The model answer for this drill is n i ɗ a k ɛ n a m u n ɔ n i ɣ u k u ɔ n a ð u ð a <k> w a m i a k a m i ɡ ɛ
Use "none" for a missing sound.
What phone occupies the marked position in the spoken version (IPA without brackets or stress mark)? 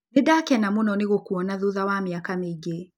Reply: none